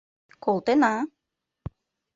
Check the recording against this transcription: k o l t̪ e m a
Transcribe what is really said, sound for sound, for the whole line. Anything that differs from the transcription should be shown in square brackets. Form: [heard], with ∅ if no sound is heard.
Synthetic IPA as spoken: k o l t̪ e [n] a